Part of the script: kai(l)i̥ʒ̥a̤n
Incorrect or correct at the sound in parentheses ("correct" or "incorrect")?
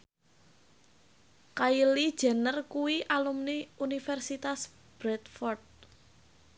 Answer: correct